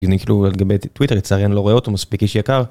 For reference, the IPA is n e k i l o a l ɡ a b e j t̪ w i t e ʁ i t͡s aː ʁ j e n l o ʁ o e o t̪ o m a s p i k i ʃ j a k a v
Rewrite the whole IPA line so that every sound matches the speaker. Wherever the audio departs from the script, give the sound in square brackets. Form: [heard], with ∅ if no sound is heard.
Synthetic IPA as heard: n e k i l [u] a l ɡ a b e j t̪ w i t e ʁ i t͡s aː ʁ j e n l o ʁ o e o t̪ o m a s p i k i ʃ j a k a [ʁ]